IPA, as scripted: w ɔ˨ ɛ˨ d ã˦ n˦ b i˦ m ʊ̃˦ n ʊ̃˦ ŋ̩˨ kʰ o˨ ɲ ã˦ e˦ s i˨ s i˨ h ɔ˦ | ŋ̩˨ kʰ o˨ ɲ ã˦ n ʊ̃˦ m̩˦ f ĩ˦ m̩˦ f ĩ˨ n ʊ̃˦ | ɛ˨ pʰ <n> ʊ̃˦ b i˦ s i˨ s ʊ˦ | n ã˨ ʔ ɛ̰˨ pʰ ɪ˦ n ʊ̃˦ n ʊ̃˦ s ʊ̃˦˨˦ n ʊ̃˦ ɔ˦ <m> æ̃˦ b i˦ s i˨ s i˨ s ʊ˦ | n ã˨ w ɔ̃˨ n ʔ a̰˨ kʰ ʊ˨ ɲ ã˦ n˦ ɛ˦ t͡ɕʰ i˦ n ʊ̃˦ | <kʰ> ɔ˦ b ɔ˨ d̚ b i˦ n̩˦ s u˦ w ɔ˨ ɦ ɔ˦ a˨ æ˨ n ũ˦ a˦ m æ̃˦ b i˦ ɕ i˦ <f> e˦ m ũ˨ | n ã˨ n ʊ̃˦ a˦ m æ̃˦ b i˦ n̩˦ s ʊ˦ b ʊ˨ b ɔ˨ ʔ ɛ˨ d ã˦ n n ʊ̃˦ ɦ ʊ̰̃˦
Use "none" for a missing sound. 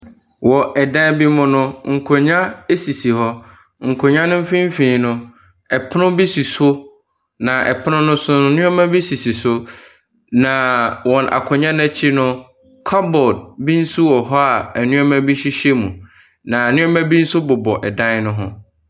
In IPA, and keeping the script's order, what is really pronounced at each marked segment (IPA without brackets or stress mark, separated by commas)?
n, m, kʰ, ɕ